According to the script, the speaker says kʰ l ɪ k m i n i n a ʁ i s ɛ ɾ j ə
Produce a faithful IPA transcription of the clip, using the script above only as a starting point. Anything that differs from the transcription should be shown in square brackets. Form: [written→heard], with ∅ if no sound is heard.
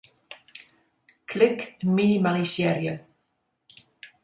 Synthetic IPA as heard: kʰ l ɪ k m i n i [n→m] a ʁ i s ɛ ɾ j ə